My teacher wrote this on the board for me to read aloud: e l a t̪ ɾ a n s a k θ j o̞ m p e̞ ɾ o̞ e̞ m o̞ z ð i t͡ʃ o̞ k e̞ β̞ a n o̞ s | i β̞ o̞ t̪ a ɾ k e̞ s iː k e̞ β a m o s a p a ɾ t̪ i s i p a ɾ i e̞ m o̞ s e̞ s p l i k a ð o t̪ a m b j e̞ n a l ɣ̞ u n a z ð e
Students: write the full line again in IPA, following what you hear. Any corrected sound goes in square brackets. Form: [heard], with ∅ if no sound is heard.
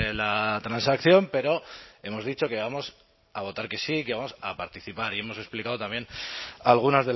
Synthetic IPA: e l a t̪ ɾ a n s a k θ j o̞ m p e̞ ɾ o̞ e̞ m o̞ z ð i t͡ʃ o̞ k e̞ β̞ a [m] o̞ s | [a] β̞ o̞ t̪ a ɾ k e̞ s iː k e̞ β a m o s a p a ɾ t̪ i [θ] i p a ɾ i e̞ m o̞ s e̞ s p l i k a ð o t̪ a m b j e̞ n a l ɣ̞ u n a z ð e